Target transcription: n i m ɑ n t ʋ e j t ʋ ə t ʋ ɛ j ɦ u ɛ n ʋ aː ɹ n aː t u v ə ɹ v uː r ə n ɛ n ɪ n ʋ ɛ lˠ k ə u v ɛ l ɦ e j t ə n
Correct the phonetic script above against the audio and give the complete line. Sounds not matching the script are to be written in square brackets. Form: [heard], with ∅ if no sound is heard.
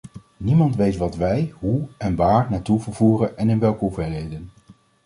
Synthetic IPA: n i m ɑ n t ʋ e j t ʋ [ɑ] t ʋ ɛ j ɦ u ɛ n ʋ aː ɹ n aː t u v ə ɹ v uː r ə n ɛ n ɪ n ʋ ɛ lˠ k ə u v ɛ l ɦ e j [d] ə n